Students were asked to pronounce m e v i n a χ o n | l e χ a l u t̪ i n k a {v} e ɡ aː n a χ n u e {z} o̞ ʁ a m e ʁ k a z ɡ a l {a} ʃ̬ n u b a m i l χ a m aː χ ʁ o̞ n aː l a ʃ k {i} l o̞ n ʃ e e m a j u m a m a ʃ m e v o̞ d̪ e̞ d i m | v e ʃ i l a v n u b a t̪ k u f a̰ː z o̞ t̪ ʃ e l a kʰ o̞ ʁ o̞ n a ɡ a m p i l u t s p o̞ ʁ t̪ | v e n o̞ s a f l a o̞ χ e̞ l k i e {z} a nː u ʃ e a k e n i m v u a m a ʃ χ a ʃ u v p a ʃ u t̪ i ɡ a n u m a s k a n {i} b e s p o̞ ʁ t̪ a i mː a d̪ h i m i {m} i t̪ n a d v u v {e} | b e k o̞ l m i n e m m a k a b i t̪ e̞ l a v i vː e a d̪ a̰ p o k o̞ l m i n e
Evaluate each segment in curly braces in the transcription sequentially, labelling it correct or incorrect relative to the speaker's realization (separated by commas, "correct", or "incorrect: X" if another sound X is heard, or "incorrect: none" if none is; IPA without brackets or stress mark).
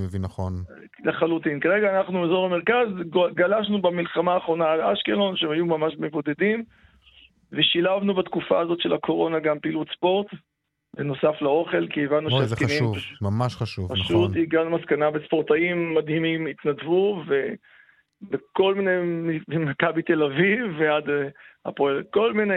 incorrect: ʁ, correct, correct, incorrect: e, incorrect: v, incorrect: a, correct, correct